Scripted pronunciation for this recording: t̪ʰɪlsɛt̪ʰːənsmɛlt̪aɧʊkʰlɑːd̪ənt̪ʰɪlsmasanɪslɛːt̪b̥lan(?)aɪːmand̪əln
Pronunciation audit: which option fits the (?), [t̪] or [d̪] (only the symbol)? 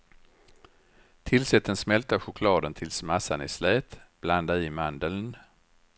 d̪